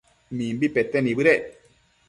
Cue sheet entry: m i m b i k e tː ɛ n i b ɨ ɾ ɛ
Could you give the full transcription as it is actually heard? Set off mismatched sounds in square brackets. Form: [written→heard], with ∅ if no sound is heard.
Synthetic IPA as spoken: m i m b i [k→p] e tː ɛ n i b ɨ ɾ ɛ